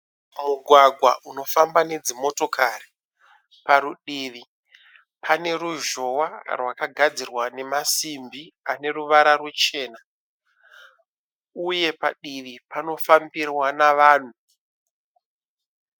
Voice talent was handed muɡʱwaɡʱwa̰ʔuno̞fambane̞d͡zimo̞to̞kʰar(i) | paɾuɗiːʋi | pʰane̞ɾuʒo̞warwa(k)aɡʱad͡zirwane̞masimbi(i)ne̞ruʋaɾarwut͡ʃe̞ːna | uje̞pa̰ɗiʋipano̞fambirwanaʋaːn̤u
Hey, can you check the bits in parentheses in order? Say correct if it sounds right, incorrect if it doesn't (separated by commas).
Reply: correct, correct, incorrect